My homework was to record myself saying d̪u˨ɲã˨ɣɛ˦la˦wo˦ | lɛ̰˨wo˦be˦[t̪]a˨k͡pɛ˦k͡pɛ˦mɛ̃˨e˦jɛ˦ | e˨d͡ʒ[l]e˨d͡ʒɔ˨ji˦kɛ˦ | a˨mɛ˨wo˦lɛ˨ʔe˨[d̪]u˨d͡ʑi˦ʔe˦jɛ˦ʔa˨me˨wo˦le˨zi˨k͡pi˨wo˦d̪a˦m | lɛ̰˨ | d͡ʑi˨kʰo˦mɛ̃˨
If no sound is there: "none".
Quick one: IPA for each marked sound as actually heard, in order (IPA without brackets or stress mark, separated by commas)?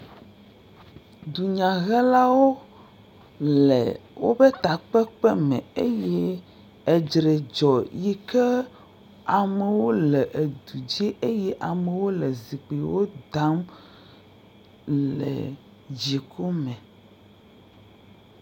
t̪, ɾ, d̪